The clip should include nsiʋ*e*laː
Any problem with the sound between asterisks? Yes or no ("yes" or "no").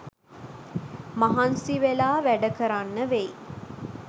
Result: no